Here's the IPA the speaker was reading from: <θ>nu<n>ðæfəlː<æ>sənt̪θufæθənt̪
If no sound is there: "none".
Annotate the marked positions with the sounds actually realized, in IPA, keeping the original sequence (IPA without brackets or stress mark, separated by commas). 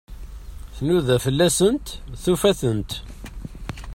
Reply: θ, none, æ